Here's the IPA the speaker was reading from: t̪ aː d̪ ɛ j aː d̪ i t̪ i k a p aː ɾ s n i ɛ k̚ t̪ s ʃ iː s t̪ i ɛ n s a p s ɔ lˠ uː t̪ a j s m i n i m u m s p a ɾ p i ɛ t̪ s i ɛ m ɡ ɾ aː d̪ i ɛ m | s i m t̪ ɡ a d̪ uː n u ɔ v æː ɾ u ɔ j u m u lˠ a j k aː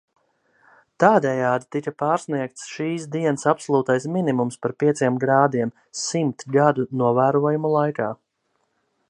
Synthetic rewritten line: t̪ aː d̪ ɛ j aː d̪ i t̪ i k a p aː ɾ s n i ɛ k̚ t̪ s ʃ iː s d̪ i ɛ n s a p s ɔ lˠ uː t̪ a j s m i n i m u m s p a ɾ p i ɛ t̪ s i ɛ m ɡ ɾ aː d̪ i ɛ m | s i m t̪ ɡ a d̪ u n u ɔ v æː ɾ u ɔ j u m u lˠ a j k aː